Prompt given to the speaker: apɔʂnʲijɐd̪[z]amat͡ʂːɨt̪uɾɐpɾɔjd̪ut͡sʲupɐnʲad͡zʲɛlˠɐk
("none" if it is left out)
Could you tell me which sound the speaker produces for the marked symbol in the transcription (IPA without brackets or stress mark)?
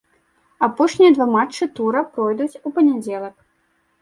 v